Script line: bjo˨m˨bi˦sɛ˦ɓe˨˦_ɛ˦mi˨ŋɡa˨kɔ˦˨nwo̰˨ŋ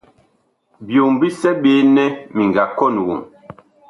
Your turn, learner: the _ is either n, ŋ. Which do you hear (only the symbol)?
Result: n